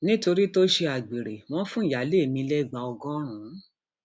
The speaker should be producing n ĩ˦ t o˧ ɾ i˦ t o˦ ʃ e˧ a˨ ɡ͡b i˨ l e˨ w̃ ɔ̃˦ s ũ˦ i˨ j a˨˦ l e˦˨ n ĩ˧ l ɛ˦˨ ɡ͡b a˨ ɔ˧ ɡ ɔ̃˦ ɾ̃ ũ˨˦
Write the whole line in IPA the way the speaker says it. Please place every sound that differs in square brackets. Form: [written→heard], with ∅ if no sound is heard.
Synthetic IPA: n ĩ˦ t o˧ ɾ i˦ t o˦ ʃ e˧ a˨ ɡ͡b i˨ [l→ɾ] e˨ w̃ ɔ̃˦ [s→f] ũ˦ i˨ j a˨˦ l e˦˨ [n→m] ĩ˧ l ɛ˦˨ ɡ͡b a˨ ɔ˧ ɡ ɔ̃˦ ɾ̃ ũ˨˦